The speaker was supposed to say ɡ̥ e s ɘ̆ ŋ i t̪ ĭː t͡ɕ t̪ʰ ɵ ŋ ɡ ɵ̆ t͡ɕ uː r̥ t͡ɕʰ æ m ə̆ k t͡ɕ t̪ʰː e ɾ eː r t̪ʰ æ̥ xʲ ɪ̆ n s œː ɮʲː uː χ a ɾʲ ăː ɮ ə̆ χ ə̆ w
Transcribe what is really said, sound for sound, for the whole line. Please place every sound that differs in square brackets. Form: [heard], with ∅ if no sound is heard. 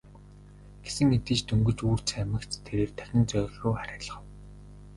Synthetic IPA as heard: ɡ̥ e s ɘ̆ ŋ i t̪ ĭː t͡ɕ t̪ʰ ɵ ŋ ɡ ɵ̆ t͡ɕ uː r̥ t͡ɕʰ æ m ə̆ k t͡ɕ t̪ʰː e ɾ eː r t̪ʰ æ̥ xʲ ɪ̆ n [t͡s] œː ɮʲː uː χ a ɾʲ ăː ɮ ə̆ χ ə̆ w